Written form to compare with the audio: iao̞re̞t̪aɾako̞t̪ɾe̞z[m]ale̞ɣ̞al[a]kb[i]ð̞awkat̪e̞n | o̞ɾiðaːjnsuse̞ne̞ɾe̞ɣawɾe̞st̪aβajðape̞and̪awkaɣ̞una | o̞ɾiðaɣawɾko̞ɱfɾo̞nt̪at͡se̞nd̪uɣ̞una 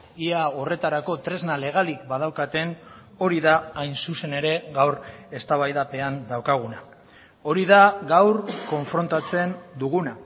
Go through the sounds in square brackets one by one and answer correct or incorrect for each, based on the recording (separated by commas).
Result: incorrect, incorrect, incorrect